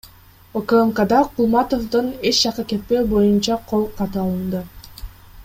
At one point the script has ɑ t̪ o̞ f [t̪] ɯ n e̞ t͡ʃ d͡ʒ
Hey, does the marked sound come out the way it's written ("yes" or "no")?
no